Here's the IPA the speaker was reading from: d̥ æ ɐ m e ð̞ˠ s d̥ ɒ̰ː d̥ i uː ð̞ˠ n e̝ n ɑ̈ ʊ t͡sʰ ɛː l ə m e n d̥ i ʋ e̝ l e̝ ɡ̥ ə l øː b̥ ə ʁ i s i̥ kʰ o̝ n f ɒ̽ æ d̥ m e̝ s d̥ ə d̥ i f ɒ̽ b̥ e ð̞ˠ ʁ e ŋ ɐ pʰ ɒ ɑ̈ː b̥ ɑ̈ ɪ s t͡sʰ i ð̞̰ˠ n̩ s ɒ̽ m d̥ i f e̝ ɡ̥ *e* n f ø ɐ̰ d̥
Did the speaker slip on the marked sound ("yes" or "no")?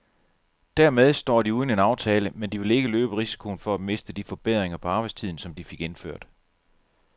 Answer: no